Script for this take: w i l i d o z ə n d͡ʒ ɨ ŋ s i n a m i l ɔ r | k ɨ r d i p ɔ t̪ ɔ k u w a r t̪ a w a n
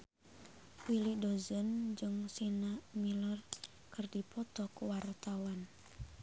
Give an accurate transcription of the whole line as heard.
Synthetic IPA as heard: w i l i d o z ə n d͡ʒ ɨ ŋ s i n a m i l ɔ r | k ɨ r d i p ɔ t̪ ɔ k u w a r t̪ a w a n